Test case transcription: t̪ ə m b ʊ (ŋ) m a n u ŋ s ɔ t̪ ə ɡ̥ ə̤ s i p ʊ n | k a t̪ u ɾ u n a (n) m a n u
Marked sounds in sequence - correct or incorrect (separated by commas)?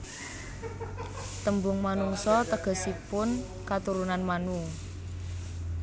correct, correct